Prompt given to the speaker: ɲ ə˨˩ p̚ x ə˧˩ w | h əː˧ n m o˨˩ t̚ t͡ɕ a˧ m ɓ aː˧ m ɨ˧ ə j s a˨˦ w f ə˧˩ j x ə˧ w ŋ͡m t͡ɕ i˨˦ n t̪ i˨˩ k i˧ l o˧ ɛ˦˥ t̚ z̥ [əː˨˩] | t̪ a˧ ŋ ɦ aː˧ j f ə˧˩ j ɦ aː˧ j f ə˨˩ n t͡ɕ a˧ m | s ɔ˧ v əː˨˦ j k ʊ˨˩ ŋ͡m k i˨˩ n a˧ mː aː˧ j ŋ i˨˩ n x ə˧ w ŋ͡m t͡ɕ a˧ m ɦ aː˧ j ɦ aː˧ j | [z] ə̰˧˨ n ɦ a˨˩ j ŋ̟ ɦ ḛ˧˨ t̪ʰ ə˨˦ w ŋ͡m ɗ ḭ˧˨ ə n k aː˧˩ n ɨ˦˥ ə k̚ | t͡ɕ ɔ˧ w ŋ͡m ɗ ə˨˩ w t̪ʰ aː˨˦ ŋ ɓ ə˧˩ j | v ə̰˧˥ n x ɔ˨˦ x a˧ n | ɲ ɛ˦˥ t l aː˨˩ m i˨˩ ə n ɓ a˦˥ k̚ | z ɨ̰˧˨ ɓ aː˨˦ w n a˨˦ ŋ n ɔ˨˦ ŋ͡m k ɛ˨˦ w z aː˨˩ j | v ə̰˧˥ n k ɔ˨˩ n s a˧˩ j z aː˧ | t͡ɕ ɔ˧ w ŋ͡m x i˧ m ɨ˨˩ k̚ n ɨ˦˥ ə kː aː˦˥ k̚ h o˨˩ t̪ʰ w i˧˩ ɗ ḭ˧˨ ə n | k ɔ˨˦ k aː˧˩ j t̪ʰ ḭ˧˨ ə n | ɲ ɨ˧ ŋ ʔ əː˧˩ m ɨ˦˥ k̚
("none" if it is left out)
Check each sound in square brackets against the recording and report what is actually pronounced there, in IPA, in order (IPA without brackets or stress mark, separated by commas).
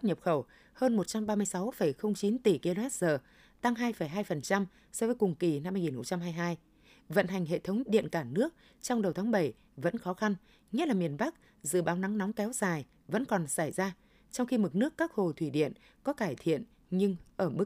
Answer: əː˨˩, v